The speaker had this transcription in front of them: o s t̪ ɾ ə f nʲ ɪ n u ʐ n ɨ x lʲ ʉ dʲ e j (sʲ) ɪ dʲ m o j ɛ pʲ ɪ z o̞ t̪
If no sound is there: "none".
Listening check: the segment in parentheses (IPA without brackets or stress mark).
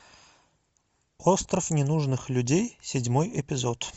sʲ